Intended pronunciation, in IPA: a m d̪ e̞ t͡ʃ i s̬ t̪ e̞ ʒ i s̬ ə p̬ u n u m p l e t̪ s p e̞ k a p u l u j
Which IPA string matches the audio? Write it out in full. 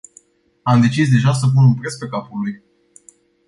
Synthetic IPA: a m d̪ e̞ t͡ʃ i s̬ d̪ e̞ ʒ a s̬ ə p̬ u n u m p ɾ e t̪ s p e̞ k a p u l u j

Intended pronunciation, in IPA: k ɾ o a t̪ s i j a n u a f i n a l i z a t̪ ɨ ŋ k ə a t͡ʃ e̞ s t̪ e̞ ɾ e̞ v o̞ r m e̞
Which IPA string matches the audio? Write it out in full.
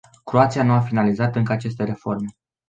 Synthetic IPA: k ɾ o a t̪ s i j a n u a f i n a l i z a t̪ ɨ ŋ k ə a t͡ʃ e̞ s t̪ e̞ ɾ e̞ f o̞ r m e̞

